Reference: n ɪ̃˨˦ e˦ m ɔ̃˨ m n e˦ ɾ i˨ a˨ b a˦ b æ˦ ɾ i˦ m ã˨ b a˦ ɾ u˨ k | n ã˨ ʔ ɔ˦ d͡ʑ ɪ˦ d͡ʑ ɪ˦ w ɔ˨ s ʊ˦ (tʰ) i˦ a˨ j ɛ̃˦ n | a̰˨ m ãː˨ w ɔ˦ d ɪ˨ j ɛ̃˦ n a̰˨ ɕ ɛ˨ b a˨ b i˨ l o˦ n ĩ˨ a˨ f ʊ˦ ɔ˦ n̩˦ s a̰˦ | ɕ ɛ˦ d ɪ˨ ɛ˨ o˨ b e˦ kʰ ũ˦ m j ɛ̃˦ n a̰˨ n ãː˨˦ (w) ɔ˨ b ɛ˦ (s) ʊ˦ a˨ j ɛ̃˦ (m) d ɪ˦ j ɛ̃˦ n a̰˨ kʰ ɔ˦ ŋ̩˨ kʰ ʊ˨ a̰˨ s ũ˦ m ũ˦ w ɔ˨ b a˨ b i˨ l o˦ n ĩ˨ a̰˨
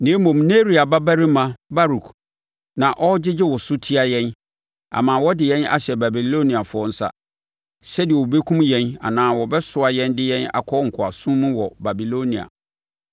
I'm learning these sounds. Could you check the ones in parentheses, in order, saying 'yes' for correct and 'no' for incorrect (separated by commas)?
yes, yes, yes, no